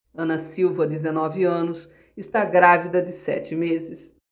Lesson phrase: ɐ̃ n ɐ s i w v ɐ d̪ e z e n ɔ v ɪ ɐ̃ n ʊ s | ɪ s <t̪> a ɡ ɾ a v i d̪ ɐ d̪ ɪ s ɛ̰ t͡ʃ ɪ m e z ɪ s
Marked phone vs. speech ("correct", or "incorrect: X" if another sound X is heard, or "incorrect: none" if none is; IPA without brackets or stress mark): correct